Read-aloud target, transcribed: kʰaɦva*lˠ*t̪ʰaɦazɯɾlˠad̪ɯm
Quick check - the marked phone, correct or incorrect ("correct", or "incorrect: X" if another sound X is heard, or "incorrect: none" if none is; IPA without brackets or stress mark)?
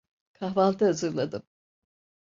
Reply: correct